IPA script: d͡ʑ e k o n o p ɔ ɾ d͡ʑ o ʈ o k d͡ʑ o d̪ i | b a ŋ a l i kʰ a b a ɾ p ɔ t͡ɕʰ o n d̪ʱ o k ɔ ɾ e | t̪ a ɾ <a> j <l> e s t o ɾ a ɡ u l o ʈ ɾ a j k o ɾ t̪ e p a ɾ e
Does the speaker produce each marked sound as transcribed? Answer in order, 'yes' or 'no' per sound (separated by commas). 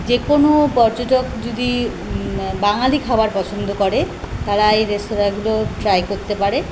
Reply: yes, no